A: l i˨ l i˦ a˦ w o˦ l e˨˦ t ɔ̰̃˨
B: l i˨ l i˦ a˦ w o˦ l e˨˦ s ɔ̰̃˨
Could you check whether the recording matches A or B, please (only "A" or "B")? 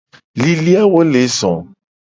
B